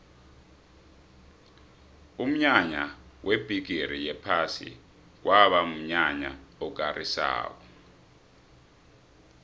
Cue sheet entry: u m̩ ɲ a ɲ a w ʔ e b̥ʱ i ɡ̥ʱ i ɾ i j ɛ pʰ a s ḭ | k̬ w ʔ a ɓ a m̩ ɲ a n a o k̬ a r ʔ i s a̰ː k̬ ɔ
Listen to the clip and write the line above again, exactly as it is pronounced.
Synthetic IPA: u m̩ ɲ a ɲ a w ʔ e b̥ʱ i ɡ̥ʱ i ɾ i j ɛ pʰ a s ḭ | k̬ w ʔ a ɓ a m̩ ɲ a ɲ a ɔ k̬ a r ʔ i s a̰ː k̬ ɔ